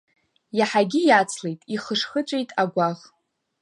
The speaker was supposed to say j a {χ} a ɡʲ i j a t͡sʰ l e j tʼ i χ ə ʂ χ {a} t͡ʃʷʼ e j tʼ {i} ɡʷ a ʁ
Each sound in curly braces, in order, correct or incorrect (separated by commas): incorrect, incorrect, incorrect